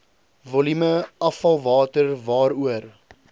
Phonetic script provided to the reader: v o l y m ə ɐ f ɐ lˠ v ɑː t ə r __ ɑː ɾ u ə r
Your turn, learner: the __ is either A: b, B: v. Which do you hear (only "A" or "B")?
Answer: B